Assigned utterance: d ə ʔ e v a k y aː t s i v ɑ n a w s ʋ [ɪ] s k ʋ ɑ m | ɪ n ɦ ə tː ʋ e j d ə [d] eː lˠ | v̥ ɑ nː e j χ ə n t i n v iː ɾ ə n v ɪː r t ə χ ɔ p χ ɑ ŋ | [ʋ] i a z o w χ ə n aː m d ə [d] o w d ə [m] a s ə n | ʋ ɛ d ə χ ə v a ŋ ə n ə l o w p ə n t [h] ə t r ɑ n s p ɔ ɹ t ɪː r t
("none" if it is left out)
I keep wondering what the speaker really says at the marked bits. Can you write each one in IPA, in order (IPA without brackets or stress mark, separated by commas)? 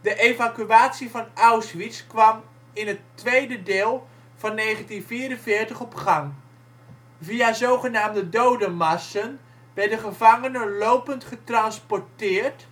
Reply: i, d, v, d, m, χ